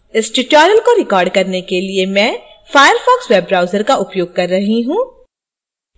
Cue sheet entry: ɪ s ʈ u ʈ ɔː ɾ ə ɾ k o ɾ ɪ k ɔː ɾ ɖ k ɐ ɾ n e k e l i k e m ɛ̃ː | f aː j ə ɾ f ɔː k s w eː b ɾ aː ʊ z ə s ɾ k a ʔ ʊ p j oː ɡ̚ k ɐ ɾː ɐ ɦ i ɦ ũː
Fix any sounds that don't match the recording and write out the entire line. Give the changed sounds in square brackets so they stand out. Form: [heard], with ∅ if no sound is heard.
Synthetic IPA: ɪ s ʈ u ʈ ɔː ɾ ə [l] k o ɾ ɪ k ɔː ɾ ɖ k ɐ ɾ n e k e l i [∅] e m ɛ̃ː | f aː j ə ɾ f ɔː k s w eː b ɾ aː ʊ z ə [∅] ɾ k a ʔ ʊ p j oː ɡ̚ k ɐ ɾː ɐ ɦ i ɦ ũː